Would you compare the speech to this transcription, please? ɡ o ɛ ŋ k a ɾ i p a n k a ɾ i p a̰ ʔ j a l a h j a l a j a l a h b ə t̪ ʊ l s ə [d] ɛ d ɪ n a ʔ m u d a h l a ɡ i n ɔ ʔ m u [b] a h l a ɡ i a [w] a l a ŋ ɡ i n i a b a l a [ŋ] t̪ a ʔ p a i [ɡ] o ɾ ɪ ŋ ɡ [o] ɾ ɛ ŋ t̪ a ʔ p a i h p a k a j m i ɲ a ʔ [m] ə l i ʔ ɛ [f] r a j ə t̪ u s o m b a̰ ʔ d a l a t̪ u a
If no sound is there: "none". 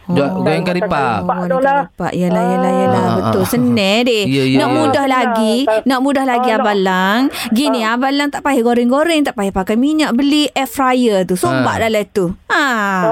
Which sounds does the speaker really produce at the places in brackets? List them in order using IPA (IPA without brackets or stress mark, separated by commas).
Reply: n, d, b, ŋ, ɡ, o, b, f